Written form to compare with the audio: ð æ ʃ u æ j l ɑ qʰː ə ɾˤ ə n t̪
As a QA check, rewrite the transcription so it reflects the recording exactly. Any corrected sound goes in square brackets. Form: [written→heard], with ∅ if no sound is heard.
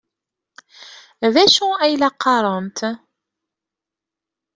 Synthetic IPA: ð æ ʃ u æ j l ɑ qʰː [ə→ɑ] ɾˤ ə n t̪